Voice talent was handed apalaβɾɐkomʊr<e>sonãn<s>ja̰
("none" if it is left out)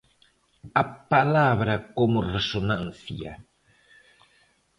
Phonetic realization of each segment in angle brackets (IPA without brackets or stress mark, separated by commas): e, θ